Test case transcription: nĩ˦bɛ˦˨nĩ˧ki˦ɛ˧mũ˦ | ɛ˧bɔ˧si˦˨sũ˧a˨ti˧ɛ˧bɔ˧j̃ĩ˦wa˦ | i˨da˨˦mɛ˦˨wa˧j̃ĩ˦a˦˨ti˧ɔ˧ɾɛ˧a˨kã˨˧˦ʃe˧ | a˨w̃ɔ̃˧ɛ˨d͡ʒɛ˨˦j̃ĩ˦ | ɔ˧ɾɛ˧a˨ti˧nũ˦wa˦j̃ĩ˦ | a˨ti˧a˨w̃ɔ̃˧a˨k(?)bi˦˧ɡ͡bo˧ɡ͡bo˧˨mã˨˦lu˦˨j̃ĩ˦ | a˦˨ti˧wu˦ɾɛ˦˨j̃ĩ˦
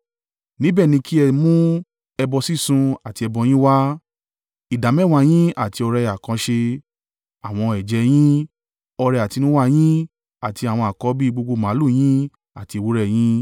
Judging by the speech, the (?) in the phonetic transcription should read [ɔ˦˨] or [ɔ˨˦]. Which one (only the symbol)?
ɔ˨˦